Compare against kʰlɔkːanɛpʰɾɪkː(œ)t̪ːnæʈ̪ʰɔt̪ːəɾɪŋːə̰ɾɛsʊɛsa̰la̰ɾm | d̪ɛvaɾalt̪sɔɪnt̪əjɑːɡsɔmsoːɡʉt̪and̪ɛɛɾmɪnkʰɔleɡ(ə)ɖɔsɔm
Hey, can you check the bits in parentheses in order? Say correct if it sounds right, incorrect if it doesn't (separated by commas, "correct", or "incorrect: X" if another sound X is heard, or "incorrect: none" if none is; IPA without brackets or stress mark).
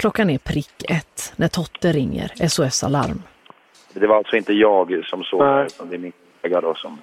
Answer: incorrect: ɛ, incorrect: a